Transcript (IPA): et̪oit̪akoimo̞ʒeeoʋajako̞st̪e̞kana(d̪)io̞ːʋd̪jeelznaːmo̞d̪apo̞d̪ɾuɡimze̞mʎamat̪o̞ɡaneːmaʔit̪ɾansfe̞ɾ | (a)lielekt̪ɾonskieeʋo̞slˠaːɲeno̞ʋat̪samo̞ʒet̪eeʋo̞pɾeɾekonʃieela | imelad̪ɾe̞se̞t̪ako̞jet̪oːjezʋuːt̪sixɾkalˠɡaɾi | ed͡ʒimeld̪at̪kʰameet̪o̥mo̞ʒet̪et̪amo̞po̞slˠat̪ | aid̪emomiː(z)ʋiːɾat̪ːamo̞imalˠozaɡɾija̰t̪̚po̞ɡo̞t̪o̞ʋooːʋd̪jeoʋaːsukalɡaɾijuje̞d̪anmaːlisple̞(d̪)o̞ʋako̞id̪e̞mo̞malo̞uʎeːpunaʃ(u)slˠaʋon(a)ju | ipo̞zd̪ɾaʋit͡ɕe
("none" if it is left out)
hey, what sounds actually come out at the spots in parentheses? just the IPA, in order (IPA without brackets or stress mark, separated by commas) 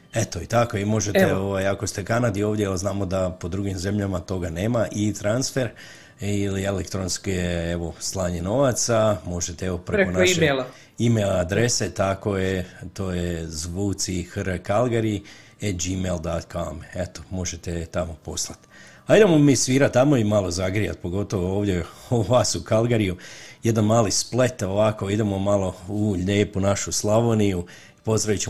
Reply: d̪, i, s, t̪, u, i